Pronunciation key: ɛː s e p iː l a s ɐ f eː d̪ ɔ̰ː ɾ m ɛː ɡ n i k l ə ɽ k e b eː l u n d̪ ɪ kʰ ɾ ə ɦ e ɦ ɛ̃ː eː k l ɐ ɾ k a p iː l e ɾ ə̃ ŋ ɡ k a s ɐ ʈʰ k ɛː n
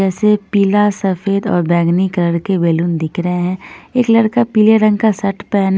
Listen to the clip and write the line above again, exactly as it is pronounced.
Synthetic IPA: ɛː s e p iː l a s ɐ f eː d̪ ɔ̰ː ɾ b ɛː ɡ n i k l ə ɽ k e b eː l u n d̪ ɪ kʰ ɾ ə ɦ e ɦ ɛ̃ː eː k l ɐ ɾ k a p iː l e ɾ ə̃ ŋ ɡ k a s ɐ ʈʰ p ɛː n